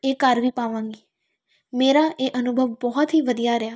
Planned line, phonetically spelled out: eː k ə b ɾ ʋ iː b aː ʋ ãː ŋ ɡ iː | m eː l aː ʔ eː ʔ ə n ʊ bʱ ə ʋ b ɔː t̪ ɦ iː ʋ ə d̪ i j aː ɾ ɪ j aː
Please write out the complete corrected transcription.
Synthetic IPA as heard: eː k ə ɾ ʋ iː p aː ʋ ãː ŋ ɡ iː | m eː ɾ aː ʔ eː ʔ ə n ʊ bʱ ə ʋ b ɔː t̪ ɦ iː ʋ ə d̪ i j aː ɾ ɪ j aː